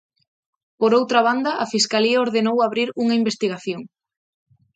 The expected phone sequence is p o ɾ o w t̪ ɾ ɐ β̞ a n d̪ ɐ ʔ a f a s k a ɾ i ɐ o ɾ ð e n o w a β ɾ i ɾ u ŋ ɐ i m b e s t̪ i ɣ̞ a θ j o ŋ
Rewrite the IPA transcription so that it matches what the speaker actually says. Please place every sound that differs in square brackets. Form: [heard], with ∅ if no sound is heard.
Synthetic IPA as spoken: p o ɾ o w t̪ ɾ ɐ β̞ a n d̪ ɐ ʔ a f [i] s k a [l] i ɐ o ɾ ð e n o w a β ɾ i ɾ u ŋ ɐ i m b e s t̪ i ɣ̞ a θ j o ŋ